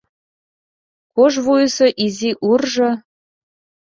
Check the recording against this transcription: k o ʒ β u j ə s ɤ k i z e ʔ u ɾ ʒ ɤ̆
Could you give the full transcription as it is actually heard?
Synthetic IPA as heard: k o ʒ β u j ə s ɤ ʔ i z i ʔ u r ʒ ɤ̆